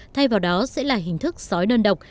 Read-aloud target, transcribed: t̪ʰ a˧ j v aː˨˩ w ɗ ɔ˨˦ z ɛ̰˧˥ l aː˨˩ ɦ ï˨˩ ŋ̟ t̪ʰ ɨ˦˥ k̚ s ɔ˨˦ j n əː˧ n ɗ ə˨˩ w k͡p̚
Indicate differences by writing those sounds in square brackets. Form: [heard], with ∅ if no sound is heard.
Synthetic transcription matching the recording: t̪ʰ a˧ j v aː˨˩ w ɗ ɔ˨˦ [s] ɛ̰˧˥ l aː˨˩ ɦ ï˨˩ ŋ̟ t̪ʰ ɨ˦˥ k̚ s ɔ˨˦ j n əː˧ n ɗ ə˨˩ w k͡p̚